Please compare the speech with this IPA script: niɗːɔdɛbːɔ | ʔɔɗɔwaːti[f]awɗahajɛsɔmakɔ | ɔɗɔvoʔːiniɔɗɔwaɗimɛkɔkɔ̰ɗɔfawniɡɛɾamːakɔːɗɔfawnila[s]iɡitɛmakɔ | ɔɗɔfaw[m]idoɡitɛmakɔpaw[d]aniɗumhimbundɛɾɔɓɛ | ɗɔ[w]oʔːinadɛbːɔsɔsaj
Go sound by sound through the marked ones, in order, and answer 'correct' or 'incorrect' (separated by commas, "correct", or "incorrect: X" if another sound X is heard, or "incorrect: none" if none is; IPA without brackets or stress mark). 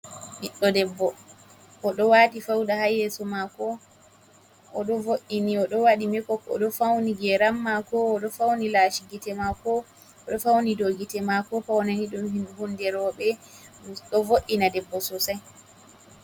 correct, incorrect: ʃ, incorrect: n, incorrect: n, incorrect: v